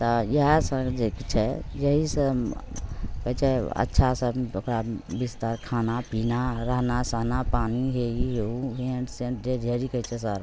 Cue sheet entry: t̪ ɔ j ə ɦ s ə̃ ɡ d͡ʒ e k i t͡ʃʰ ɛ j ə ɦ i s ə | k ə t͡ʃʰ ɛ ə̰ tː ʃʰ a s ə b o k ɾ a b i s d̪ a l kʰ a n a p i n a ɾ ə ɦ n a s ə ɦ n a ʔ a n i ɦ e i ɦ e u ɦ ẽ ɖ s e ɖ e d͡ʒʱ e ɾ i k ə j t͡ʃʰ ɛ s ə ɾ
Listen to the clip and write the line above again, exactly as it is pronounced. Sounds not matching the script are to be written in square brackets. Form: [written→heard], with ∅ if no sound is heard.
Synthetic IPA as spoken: t̪ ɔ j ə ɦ s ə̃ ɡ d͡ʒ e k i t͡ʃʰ ɛ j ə ɦ i s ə | k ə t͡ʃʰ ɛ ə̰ tː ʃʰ a s ə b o k ɾ a b i s [d̪→t̪] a [l→ɾ] kʰ a n a p i n a ɾ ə ɦ n a s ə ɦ n a [ʔ→p] a n i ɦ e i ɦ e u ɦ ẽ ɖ s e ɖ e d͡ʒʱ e ɾ i k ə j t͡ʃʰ ɛ s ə ɾ